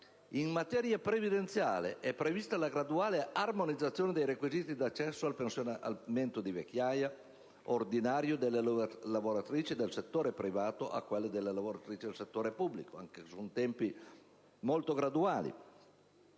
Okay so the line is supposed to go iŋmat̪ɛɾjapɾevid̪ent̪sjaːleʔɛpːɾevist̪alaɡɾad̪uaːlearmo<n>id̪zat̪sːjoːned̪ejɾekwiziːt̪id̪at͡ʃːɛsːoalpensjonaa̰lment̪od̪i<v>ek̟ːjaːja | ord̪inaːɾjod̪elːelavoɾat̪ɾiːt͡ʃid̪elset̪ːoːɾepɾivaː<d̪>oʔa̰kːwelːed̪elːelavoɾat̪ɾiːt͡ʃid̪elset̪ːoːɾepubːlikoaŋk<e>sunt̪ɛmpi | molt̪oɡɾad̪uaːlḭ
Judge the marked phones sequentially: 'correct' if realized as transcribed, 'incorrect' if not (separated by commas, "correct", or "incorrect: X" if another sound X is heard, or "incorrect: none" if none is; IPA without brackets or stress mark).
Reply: correct, correct, incorrect: t̪, correct